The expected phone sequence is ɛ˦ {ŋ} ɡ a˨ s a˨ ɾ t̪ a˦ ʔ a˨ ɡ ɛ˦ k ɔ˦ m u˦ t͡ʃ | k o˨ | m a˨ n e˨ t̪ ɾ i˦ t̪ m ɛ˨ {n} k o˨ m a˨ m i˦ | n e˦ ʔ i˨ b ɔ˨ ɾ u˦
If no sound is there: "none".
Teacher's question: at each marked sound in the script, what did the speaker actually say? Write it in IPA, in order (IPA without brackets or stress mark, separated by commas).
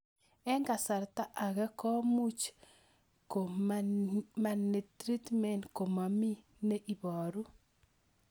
ŋ, n